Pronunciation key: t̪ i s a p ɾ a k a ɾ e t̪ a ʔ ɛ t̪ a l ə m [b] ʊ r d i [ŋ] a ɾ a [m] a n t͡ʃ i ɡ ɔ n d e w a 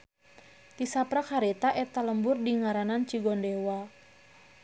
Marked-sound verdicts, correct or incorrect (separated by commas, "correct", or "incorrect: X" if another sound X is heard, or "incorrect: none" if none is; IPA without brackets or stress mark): correct, correct, incorrect: n